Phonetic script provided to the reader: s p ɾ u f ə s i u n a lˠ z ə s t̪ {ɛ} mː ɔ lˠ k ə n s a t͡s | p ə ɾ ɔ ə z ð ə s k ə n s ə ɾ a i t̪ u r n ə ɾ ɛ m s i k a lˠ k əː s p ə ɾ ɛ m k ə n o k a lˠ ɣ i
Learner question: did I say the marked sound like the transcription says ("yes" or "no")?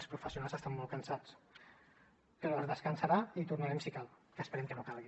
no